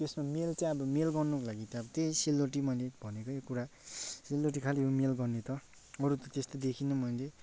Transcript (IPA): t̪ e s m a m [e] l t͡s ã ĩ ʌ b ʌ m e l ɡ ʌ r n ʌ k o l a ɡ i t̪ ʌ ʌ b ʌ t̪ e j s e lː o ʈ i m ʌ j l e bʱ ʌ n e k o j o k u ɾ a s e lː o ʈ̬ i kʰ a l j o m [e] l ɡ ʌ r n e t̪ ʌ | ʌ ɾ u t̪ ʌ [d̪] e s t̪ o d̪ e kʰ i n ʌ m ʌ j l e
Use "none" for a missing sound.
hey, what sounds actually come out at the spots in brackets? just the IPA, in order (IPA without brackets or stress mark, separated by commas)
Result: e, e, t̪